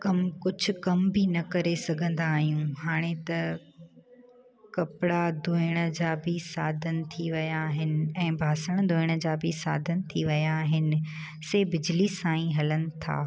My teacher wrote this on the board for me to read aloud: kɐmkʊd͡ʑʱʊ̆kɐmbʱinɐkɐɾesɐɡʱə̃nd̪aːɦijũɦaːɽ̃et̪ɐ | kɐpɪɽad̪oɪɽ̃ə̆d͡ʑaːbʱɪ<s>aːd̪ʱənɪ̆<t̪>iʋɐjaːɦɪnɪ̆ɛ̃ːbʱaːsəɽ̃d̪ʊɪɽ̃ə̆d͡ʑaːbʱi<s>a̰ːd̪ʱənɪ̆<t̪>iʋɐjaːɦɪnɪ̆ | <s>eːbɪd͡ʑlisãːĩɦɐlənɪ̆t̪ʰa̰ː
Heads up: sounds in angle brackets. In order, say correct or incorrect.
correct, incorrect, correct, incorrect, correct

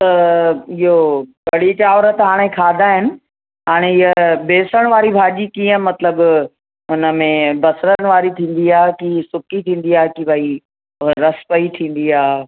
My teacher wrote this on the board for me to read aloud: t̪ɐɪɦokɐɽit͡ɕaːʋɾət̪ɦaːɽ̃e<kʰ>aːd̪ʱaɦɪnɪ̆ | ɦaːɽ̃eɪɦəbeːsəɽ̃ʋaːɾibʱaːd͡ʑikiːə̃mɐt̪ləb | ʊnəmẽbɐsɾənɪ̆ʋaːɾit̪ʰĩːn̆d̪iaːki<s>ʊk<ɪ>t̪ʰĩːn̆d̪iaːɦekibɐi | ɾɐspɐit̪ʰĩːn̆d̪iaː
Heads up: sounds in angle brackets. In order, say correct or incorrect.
correct, correct, incorrect

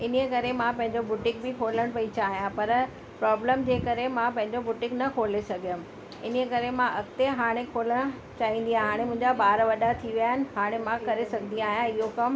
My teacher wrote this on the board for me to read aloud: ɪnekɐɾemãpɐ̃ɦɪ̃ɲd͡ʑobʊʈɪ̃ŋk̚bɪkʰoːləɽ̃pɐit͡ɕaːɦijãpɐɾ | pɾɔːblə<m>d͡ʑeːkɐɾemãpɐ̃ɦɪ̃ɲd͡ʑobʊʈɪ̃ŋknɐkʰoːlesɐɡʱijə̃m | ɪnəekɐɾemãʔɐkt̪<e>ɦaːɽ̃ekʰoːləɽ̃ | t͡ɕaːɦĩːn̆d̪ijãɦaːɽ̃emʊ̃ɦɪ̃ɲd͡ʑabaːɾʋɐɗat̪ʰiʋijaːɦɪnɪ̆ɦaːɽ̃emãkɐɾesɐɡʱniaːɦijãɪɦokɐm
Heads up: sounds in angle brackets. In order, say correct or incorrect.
correct, correct

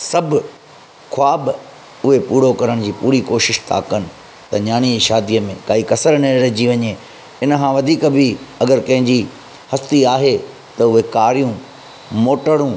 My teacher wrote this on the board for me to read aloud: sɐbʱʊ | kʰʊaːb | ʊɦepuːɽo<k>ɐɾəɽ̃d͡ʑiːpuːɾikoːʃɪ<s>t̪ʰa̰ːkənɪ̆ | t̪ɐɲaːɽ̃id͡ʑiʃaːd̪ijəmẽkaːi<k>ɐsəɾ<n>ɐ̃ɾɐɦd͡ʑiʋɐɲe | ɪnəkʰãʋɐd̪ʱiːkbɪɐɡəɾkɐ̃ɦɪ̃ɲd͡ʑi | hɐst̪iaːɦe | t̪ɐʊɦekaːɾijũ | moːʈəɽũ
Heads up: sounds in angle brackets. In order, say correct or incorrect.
correct, incorrect, correct, correct

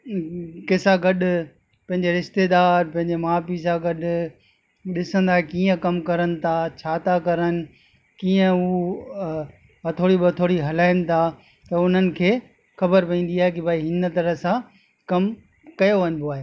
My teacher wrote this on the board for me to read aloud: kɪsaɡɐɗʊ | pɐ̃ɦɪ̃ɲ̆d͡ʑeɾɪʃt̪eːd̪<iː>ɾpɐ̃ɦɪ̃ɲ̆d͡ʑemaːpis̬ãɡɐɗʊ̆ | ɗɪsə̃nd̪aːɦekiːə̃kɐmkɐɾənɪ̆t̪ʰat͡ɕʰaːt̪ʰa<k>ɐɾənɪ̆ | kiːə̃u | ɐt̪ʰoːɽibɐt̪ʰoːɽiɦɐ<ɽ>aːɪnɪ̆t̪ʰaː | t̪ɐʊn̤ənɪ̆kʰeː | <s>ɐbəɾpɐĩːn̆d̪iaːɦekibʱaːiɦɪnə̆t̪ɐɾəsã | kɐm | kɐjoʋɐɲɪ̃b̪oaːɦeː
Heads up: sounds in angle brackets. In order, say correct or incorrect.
incorrect, correct, incorrect, incorrect

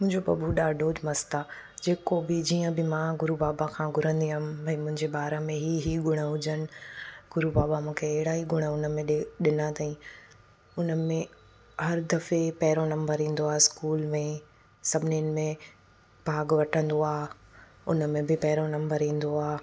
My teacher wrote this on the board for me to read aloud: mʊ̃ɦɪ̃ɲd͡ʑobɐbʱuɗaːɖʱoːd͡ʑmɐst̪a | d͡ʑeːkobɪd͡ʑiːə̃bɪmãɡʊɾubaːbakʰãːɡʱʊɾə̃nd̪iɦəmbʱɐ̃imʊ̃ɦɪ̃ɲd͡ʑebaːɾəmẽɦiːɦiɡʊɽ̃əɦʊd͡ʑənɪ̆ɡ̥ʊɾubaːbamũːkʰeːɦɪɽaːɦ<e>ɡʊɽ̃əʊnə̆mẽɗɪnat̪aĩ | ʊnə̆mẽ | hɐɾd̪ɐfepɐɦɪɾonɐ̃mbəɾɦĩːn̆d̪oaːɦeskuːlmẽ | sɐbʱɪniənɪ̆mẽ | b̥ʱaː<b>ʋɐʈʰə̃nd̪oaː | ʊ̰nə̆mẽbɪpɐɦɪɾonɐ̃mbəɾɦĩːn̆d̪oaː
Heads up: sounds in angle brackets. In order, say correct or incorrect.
incorrect, incorrect

